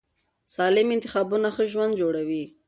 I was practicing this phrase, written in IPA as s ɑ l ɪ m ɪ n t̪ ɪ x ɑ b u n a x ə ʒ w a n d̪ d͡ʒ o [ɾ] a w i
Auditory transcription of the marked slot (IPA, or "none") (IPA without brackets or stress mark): ɽ